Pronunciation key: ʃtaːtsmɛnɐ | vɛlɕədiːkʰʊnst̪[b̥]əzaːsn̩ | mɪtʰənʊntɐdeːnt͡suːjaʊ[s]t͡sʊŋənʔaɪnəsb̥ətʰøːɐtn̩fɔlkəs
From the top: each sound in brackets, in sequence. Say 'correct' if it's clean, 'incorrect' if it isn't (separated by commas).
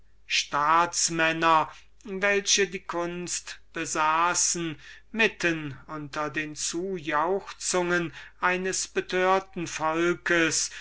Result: correct, incorrect